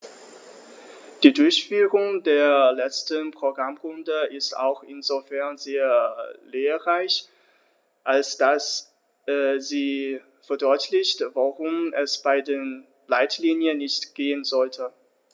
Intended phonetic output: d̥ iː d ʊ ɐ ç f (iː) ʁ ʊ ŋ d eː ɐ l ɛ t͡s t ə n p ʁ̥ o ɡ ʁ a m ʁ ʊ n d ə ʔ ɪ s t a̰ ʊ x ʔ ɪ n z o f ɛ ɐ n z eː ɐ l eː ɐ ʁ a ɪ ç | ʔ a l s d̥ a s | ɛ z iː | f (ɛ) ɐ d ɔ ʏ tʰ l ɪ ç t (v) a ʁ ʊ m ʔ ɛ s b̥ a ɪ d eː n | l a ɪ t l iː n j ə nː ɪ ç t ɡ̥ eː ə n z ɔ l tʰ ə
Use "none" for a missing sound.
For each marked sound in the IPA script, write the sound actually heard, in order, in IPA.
yː, ɛ, v

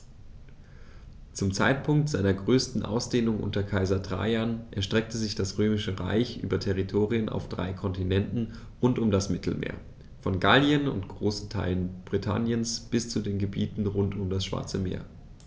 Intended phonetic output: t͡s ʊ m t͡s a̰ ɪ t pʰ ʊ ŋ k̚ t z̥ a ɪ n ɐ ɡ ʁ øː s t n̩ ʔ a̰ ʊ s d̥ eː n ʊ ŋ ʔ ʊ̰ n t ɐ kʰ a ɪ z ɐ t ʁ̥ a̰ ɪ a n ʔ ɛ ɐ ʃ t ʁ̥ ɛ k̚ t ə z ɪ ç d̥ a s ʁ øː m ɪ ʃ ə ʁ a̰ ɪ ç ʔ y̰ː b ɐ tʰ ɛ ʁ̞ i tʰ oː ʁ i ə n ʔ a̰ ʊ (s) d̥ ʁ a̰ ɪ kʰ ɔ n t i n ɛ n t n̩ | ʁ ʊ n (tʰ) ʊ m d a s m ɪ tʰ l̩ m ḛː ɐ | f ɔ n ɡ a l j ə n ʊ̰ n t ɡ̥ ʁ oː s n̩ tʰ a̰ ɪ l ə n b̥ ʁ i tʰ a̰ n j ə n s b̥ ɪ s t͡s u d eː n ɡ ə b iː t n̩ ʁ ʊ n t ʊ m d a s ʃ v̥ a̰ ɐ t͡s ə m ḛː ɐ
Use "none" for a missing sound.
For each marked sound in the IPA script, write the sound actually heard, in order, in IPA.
f, t

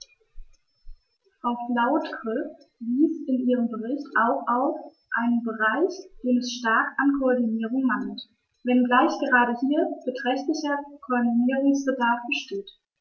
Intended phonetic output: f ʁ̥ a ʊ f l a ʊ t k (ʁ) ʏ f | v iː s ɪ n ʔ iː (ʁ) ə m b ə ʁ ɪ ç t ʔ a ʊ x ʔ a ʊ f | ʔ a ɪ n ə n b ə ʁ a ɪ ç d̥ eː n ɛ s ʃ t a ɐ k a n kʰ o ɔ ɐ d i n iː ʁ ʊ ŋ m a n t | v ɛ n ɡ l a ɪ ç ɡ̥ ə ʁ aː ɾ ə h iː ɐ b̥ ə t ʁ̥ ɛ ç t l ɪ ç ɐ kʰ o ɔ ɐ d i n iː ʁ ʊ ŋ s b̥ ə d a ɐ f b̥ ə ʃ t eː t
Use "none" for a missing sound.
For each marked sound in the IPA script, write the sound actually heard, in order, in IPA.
ʁ, ʁ

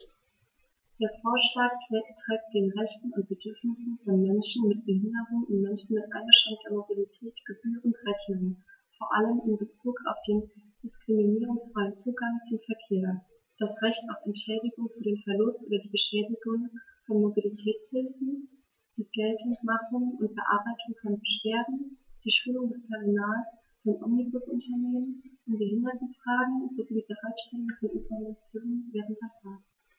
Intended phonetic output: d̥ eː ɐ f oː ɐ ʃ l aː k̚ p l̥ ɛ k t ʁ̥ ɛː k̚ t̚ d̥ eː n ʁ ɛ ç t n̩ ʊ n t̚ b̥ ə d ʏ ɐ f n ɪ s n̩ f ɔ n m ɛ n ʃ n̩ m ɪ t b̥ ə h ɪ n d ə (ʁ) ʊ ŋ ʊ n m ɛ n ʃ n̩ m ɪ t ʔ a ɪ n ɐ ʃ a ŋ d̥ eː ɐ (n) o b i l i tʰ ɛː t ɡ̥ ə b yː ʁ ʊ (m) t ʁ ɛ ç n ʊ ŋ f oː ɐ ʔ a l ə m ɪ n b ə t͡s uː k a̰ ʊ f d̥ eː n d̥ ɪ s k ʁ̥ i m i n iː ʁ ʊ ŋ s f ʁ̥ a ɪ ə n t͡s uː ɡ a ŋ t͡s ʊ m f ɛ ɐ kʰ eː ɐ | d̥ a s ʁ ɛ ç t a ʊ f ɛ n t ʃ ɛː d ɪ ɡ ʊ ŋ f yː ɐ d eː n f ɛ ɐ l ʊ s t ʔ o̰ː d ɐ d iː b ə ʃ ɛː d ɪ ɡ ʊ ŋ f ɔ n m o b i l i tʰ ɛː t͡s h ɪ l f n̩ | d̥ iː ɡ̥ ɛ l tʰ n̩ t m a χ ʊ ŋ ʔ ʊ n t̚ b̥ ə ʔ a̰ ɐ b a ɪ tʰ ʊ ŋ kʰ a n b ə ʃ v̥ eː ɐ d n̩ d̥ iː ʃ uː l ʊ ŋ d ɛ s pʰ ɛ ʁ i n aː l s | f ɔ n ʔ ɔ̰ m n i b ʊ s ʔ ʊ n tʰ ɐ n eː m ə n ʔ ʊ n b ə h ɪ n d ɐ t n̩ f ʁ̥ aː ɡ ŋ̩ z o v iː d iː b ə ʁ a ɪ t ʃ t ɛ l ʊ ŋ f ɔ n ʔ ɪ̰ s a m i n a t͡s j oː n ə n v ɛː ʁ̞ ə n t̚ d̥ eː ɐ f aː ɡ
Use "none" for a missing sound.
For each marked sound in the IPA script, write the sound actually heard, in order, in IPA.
ʁ, m, n

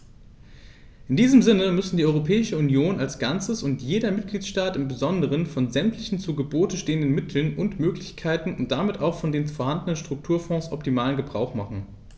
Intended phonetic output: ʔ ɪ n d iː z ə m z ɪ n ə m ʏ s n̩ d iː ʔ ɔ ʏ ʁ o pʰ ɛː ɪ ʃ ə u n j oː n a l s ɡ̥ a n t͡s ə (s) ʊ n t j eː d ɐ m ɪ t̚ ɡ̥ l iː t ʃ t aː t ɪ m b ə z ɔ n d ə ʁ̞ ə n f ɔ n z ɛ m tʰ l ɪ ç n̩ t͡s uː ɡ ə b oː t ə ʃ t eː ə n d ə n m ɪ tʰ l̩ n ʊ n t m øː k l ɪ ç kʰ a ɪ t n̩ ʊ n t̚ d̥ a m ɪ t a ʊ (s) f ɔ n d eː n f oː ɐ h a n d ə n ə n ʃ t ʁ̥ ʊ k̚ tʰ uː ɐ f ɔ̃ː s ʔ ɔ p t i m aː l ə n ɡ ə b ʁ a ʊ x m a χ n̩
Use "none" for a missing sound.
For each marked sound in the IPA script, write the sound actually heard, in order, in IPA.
s, x

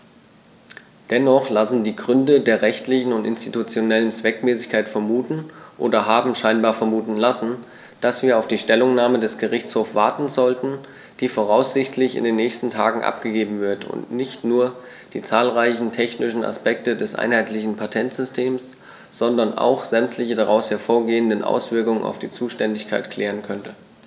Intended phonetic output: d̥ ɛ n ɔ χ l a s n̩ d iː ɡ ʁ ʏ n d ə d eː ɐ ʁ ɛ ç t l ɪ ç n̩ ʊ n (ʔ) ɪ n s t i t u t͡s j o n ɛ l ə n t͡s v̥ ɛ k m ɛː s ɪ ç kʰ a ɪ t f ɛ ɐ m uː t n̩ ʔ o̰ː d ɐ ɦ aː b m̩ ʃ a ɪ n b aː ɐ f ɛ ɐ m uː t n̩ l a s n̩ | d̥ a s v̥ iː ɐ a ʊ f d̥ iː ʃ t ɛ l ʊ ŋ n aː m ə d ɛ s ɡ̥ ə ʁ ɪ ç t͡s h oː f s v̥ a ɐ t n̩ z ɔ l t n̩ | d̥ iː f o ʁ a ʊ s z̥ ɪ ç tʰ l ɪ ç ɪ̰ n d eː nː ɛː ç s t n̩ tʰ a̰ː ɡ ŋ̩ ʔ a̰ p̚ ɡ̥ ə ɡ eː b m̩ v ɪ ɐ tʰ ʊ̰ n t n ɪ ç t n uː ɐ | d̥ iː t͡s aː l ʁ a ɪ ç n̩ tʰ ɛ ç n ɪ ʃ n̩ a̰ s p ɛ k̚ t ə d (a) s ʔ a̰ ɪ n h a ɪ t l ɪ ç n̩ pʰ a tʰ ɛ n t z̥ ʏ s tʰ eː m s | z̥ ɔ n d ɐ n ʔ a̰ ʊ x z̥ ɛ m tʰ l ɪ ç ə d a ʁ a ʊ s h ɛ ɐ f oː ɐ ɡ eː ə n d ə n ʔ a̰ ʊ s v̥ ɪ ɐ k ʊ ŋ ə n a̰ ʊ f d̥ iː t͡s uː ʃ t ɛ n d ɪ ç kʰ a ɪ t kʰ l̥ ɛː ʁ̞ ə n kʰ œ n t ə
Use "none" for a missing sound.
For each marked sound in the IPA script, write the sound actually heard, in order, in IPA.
t, ɛ

